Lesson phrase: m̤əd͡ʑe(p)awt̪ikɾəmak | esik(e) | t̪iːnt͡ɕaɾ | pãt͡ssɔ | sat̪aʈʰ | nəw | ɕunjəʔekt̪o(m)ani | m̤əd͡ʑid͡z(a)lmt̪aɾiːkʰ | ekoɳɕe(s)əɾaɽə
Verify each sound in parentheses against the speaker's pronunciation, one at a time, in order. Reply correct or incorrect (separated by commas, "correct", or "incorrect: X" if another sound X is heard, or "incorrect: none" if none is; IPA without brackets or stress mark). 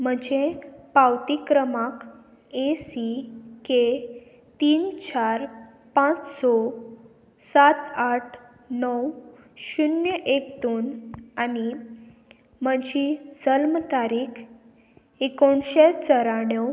correct, correct, incorrect: n, incorrect: ə, incorrect: t͡s